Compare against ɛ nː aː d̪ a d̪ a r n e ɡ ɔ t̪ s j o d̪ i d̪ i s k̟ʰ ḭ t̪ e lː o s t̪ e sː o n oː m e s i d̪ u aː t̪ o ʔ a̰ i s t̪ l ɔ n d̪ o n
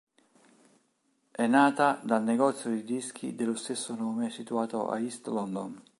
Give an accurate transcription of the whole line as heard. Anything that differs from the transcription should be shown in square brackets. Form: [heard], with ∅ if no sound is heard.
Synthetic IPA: ɛ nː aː [t̪] a d̪ a [l] n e ɡ ɔ t̪ s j o d̪ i d̪ i s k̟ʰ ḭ [d̪] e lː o s t̪ e sː o n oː m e s i [t̪] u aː t̪ o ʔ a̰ i s t̪ l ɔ n d̪ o n